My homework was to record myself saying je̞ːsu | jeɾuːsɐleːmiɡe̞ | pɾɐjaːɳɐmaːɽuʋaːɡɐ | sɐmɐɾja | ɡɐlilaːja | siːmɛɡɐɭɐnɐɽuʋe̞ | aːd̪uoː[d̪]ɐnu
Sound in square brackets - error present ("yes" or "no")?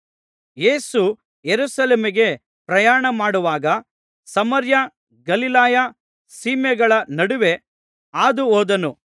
no